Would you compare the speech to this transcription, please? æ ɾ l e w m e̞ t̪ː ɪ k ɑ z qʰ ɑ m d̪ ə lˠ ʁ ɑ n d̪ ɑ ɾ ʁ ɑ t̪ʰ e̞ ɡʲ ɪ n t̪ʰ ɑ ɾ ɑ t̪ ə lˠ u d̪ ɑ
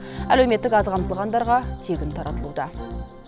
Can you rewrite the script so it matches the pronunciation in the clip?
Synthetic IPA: æ l e w m e̞ t̪ː ɪ k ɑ z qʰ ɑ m t̪ ə lˠ ʁ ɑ n d̪ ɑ ɾ ʁ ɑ t̪ʰ e̞ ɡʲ ɪ n t̪ʰ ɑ ɾ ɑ t̪ ə lˠ u d̪ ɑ